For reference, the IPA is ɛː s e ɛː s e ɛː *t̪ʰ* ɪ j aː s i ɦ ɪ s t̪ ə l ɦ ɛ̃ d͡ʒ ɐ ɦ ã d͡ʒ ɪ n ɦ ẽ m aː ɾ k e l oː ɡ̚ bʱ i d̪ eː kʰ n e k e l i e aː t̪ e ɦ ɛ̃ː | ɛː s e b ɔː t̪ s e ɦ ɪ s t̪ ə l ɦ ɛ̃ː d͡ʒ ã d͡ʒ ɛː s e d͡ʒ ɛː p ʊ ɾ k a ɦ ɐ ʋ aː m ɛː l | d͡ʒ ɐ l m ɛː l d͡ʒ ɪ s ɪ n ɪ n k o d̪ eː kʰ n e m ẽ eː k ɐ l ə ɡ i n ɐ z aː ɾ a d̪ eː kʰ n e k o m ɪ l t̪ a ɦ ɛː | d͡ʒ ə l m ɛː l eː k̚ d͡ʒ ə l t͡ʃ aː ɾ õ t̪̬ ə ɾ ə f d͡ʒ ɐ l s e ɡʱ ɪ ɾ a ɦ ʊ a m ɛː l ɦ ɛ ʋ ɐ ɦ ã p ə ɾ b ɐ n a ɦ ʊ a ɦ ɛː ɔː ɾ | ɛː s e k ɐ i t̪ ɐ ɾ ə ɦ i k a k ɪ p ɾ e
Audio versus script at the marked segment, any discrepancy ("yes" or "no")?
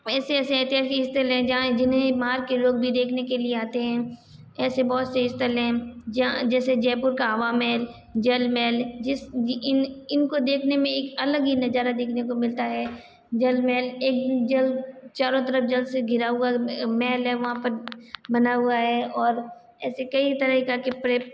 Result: yes